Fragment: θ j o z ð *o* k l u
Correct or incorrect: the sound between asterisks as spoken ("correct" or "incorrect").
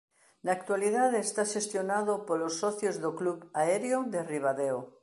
correct